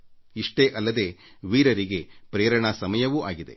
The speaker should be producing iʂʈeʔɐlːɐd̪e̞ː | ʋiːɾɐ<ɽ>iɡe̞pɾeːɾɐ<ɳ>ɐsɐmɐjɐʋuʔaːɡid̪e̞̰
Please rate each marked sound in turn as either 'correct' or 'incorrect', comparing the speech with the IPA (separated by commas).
incorrect, correct